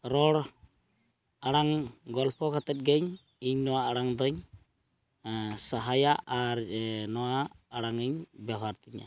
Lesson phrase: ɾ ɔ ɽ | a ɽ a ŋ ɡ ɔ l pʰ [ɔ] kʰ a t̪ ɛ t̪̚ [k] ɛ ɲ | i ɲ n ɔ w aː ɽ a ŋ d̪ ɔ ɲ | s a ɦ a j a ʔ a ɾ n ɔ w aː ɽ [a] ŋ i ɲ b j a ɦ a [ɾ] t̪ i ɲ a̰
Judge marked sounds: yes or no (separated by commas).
yes, no, yes, yes